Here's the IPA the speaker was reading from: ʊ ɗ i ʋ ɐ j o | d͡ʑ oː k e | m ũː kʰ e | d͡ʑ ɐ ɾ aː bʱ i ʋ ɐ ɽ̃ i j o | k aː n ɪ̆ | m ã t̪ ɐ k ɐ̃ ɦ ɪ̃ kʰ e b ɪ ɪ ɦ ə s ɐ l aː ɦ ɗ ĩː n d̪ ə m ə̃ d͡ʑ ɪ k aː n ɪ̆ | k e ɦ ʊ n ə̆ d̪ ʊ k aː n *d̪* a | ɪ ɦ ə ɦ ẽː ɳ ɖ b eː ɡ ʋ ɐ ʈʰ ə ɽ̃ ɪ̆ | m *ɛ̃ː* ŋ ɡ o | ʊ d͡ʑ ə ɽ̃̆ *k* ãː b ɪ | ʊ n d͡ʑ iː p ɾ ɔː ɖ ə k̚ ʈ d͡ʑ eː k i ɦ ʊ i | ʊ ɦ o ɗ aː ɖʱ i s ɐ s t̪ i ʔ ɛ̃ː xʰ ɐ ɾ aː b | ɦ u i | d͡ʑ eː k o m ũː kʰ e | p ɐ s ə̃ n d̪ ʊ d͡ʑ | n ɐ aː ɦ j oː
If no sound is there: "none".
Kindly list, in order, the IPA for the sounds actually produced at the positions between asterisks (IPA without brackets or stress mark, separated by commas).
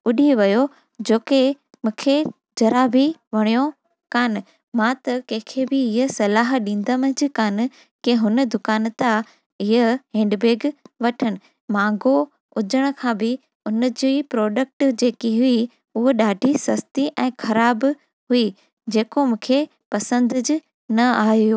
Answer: t̪, ãː, kʰ